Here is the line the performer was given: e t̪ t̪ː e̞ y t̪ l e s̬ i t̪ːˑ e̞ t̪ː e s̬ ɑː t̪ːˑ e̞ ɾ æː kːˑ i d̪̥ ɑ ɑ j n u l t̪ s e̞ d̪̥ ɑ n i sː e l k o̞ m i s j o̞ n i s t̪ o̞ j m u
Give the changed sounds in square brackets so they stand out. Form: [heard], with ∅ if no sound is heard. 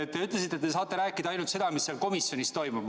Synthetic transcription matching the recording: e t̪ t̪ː e̞ y t̪ l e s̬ i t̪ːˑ e̞ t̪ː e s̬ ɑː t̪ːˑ e̞ ɾ æː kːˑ i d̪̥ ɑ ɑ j n u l t̪ s e̞ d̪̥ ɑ [m] i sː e l k o̞ m i s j o̞ n i s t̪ o̞ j m u